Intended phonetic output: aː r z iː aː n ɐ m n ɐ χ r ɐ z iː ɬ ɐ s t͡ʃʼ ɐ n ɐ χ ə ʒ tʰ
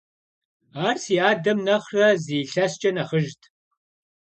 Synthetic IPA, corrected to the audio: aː r s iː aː d ɐ m n ɐ χ r ɐ z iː ɬ ɐ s t͡ʃʼ ɐ n ɐ χ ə ʒ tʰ